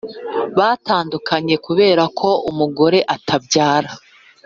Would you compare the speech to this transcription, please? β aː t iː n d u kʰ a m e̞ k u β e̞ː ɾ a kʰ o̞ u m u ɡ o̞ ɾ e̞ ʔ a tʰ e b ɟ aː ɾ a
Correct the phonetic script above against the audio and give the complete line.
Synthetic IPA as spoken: β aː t aː n d u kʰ a ɲ e̞ k u β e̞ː ɾ a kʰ o̞ u m u ɡ o̞ ɾ e̞ ʔ a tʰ a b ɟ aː ɾ a